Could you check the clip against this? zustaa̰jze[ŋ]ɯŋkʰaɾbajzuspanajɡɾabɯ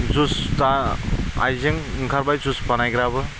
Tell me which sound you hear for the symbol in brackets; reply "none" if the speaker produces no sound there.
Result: ŋ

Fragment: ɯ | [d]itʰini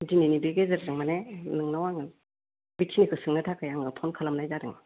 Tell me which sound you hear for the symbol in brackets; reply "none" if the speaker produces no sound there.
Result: b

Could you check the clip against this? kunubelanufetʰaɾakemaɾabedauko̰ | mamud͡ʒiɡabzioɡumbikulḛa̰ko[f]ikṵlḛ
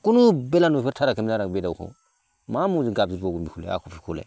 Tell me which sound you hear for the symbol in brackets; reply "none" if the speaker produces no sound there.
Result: f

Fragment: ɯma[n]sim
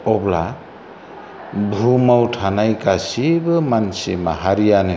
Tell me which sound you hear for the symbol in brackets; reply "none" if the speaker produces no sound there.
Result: n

